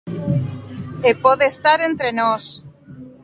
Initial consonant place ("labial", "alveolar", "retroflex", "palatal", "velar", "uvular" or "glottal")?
labial